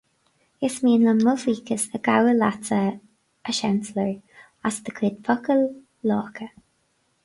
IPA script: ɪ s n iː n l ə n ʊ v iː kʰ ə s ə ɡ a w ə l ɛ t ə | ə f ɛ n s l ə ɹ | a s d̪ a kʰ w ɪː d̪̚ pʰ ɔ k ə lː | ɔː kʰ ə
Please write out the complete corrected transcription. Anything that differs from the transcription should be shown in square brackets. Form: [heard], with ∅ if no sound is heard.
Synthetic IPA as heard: ɪ s [m] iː n l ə [m] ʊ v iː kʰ ə s ə ɡ a w ə l [a] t ə | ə [ʃ] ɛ n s l ə ɹ | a s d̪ [ə] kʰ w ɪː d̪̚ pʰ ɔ k ə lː | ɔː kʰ ə